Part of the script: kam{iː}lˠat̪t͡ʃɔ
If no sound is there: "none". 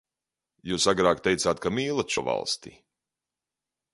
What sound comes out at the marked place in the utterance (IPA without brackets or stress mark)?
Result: iː